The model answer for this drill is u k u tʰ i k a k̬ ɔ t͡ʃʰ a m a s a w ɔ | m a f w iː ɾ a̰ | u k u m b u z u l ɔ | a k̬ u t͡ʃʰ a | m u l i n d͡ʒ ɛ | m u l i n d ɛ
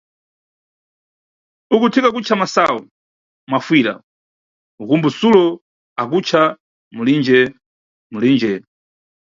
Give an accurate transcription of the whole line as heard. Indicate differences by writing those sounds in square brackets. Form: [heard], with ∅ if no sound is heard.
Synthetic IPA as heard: u k u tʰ i k a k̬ [u] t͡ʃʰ a m a s a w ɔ | m a f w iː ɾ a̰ | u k u m b u [s] u l ɔ | a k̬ u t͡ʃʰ a | m u l i n d͡ʒ ɛ | m u l i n [d͡ʒ] ɛ